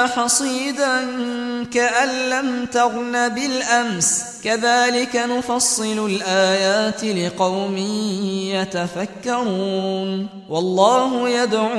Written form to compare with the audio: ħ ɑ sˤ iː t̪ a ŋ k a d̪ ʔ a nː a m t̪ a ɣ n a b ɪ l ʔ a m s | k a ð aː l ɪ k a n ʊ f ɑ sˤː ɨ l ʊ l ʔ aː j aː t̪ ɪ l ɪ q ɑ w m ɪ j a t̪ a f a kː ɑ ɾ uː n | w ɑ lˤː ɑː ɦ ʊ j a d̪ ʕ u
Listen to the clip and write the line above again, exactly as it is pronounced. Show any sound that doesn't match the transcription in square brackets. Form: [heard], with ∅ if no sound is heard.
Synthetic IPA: ħ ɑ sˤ iː [d̪] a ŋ k a [∅] ʔ a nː a m t̪ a ɣ n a b ɪ l ʔ a m s | k a ð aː l ɪ k a n ʊ f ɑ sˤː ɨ l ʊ l ʔ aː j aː t̪ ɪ l ɪ q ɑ w m ɪ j a t̪ a f a kː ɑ ɾ uː n | w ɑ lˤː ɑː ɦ ʊ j a d̪ ʕ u